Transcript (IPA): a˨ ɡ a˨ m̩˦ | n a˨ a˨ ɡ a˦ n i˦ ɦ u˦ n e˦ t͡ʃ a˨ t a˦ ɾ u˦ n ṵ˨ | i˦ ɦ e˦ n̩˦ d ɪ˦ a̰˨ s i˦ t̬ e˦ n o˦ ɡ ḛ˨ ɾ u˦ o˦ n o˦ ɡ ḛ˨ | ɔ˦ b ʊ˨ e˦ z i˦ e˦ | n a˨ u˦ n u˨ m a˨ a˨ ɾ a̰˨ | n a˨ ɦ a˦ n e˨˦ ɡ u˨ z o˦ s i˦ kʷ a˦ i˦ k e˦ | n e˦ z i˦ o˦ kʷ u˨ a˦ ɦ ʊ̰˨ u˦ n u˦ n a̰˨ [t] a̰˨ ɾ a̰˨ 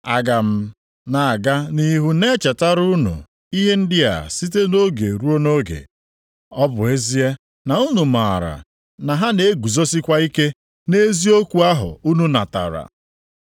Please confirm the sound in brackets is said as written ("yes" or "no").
yes